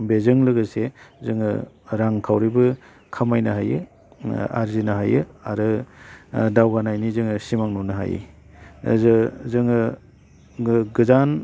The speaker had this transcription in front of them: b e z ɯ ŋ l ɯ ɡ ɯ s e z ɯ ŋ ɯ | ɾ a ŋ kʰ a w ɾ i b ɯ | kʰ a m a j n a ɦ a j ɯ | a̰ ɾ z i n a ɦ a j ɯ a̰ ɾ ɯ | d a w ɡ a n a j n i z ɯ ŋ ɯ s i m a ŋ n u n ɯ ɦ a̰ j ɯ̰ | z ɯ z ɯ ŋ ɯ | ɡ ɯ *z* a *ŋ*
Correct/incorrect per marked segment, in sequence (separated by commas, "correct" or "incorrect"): correct, incorrect